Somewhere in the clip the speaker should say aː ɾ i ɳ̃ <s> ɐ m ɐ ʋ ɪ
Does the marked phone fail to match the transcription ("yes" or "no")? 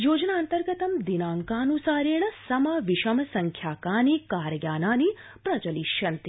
no